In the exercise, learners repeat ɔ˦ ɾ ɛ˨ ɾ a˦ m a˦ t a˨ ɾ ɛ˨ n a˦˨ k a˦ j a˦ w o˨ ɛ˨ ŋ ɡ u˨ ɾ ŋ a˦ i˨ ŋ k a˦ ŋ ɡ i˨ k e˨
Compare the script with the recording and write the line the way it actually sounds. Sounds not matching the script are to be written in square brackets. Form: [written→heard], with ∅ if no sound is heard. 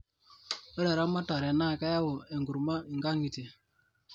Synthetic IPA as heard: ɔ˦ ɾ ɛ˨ ɾ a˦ m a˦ t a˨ ɾ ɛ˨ n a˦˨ k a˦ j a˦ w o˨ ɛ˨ ŋ ɡ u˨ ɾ [ŋ→m] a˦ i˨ ŋ [k→ɡ] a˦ ŋ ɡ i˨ [k→t] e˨